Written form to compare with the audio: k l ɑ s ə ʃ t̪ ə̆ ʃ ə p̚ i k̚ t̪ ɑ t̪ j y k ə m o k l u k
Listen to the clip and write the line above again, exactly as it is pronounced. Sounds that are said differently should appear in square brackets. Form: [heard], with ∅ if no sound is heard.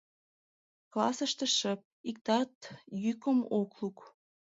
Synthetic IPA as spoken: k l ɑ s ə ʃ t̪ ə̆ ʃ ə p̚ i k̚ t̪ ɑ t̪ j y k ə m o k l u k